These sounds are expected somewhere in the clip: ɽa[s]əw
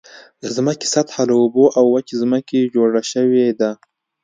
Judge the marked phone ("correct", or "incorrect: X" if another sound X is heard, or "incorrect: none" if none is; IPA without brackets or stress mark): incorrect: ʃ